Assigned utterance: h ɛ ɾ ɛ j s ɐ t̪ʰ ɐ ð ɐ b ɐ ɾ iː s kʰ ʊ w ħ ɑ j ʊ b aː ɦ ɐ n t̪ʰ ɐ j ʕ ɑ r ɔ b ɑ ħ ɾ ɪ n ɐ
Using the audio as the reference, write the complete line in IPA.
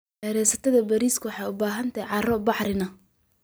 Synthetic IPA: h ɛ ɾ ɛ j s ɐ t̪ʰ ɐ ð ɐ b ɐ ɾ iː s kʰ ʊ w ħ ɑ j ʊ b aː ɦ ɐ n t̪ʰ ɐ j ʕ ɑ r ɔ b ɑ ħ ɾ ɪ n ɐ